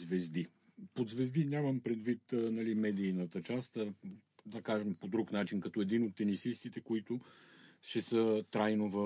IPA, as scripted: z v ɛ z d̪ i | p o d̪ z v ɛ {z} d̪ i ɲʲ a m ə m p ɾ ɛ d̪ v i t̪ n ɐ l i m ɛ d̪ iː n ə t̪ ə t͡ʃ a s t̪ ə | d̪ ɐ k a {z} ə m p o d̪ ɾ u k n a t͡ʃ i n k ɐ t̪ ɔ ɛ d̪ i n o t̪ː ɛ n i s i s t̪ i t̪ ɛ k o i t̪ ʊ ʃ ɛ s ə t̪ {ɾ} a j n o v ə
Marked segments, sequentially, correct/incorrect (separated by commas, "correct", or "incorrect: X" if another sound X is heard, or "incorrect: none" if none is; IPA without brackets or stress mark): correct, incorrect: ʒ, correct